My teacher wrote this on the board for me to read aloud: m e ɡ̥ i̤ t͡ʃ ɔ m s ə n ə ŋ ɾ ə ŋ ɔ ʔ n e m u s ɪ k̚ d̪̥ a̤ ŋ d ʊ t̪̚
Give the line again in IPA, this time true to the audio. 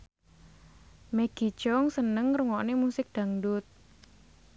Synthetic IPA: m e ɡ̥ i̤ t͡ʃ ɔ ŋ s ə n ə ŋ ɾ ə ŋ ɔ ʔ n e m u s ɪ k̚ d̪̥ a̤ ŋ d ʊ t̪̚